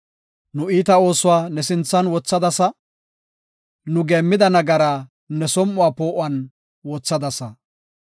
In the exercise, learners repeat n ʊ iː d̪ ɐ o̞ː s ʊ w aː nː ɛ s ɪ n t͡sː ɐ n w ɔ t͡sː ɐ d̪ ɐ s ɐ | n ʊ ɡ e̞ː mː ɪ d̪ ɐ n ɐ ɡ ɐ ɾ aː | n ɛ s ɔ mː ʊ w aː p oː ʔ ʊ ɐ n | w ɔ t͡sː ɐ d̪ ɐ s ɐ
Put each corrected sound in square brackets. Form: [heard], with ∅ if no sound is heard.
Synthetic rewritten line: n ʊ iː [t̪] ɐ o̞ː s ʊ w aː [n] ɛ s ɪ n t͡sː ɐ n w ɔ t͡sː ɐ d̪ ɐ s ɐ | n ʊ ɡ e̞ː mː ɪ d̪ ɐ n ɐ ɡ ɐ ɾ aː | n ɛ s ɔ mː ʊ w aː p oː ʔ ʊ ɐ n | w ɔ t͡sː ɐ d̪ ɐ s ɐ